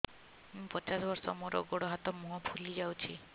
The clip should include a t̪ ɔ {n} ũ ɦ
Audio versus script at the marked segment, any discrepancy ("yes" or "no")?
yes